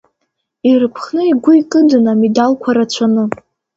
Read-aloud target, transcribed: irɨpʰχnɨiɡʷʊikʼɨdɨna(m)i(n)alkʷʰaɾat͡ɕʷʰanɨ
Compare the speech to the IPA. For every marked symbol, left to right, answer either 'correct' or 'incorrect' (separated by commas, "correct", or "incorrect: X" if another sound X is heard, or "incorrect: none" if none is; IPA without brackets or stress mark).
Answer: correct, incorrect: d